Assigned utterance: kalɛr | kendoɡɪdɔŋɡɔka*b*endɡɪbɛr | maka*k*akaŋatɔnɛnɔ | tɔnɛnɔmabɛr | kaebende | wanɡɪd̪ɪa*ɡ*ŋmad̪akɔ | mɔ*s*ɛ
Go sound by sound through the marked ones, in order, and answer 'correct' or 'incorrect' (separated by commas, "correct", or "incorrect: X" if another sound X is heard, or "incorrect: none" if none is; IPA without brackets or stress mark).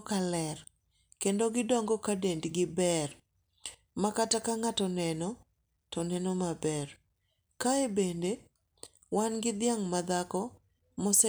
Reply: incorrect: d, incorrect: t, incorrect: none, correct